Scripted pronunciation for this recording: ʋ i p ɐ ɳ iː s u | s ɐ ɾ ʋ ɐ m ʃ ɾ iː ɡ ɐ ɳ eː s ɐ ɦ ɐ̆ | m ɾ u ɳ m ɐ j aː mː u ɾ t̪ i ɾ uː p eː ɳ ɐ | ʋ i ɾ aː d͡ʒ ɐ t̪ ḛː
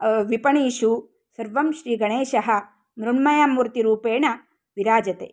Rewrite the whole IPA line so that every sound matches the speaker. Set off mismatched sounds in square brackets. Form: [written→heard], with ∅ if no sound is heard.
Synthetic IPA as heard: ʋ i p ɐ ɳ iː [s→ʃ] u | s ɐ ɾ ʋ ɐ m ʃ ɾ iː ɡ ɐ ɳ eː [s→ʃ] ɐ ɦ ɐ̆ | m ɾ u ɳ m ɐ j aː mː u ɾ t̪ i ɾ uː p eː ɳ ɐ | ʋ i ɾ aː d͡ʒ ɐ t̪ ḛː